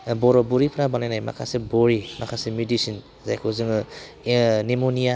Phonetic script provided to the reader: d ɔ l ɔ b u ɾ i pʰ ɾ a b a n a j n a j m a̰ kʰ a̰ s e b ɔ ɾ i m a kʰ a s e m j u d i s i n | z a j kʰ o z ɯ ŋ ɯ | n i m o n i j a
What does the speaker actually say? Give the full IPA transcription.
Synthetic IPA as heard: b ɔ ɾ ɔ b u ɾ i pʰ ɾ a b a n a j n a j m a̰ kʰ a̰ s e b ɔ ɾ i m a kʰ a s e m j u d i s i n | z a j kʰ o z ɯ ŋ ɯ | n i m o n i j a